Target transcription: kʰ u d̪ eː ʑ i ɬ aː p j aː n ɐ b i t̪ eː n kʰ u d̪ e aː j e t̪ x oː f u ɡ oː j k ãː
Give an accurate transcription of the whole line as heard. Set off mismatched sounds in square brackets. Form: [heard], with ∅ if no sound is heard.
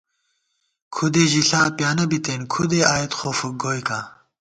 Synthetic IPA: kʰ u d̪ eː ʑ i ɬ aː p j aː n ɐ b i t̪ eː n kʰ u d̪ e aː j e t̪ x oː f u ɡ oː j k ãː